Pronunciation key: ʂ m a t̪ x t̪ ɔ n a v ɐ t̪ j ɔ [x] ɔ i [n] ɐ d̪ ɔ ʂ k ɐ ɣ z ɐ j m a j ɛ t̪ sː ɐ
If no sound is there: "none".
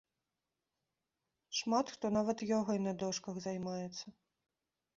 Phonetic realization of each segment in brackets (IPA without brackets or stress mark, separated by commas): ɣ, n